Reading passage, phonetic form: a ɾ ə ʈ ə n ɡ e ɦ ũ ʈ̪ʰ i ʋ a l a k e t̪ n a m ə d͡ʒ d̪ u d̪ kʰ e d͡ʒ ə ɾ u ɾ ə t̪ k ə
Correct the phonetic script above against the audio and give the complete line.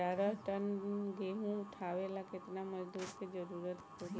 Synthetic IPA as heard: a ɾ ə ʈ ə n ɡ e ɦ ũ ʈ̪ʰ a ʋ e l a k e t̪ n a m ə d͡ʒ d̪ u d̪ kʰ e d͡ʒ ə ɾ u ɾ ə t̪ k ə